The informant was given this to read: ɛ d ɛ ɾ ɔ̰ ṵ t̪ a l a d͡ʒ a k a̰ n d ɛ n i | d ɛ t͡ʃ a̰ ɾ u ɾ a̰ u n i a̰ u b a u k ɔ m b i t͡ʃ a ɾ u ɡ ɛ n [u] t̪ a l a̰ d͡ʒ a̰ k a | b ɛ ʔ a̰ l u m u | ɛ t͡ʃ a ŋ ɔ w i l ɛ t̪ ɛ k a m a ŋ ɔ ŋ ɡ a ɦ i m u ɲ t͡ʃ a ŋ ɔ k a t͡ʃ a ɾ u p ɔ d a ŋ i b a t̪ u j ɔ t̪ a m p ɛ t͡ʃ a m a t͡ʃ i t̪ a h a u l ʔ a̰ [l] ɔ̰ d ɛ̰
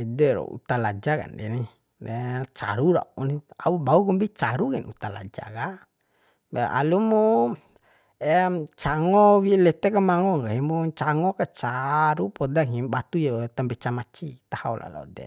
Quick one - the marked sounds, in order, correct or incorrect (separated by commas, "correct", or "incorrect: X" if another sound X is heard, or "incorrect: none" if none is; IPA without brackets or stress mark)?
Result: correct, correct